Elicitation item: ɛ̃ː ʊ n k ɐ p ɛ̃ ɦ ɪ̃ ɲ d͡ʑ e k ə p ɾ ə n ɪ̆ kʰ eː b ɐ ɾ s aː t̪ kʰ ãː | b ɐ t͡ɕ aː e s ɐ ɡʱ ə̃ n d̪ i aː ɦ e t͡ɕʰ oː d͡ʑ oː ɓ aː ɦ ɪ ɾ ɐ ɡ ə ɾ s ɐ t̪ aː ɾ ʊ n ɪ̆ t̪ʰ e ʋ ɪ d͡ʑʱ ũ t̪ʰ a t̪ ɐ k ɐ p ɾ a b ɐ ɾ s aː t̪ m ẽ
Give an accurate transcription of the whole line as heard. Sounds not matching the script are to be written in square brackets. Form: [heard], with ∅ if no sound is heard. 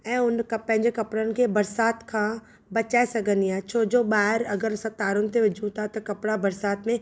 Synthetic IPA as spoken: ɛ̃ː ʊ n k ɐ p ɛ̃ ɦ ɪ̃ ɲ d͡ʑ e k [ɐ] p [ɽ] ə n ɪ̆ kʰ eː b ɐ ɾ s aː t̪ kʰ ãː | b ɐ t͡ɕ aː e s ɐ ɡʱ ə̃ n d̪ i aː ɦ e t͡ɕʰ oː d͡ʑ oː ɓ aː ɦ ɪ ɾ ɐ ɡ ə ɾ s ɐ t̪ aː ɾ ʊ n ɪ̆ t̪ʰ e ʋ ɪ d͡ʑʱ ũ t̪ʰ a t̪ ɐ k ɐ p [ɽ] a b ɐ ɾ s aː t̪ m ẽ